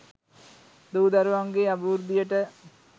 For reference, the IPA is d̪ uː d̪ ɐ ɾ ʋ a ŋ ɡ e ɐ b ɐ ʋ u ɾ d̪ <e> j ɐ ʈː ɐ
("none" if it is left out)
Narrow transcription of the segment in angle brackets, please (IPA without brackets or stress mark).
i